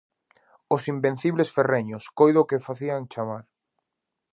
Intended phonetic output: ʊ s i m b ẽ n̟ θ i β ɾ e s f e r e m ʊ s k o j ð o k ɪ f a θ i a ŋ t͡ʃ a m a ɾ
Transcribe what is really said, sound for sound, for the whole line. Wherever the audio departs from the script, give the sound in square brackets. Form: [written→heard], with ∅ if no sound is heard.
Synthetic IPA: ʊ s i m b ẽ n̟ θ i β [ɾ→l] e s f e r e [m→ɲ] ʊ s k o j ð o k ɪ f a θ i a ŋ t͡ʃ a m a ɾ